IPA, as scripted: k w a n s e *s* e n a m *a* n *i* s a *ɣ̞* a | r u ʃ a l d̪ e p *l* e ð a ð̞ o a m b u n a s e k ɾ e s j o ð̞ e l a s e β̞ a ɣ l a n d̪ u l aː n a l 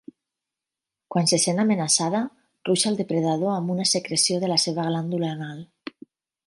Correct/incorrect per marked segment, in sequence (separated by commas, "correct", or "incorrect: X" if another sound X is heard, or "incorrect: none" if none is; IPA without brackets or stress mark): correct, incorrect: e, incorrect: a, incorrect: ð̞, incorrect: ɾ